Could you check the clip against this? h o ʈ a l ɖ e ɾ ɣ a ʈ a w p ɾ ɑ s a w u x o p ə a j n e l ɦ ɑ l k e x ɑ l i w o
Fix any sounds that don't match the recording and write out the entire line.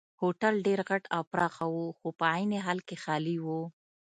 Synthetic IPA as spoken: h o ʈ a l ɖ e ɾ ɣ a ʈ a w p ɾ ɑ x a w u x o p ə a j n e ɦ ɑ l k e x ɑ l i w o